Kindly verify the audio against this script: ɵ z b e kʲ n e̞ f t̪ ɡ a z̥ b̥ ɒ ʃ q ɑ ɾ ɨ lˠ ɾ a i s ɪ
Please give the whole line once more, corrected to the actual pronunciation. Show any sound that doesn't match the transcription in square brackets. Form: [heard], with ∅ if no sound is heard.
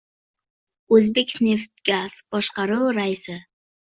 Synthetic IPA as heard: ɵ z b e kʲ n e̞ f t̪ ɡ a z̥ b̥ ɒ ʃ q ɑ ɾ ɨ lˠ ɾ a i s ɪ